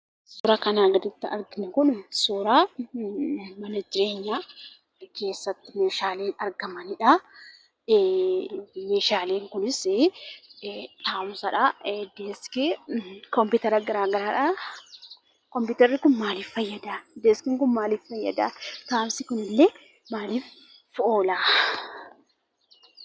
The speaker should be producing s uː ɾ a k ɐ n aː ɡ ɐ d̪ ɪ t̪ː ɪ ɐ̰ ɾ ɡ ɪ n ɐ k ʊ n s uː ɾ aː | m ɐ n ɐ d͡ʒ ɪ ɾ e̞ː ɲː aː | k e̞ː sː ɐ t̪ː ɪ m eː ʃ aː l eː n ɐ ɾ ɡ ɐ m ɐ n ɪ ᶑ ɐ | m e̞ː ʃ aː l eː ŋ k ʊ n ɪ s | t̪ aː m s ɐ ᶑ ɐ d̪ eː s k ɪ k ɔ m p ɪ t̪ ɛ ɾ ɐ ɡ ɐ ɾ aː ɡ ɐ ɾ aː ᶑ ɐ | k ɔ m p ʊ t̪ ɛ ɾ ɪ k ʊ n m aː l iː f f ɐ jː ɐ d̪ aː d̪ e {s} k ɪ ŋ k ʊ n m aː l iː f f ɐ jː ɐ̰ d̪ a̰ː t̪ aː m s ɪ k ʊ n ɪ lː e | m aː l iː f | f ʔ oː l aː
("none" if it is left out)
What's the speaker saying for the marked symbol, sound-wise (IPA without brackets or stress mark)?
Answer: s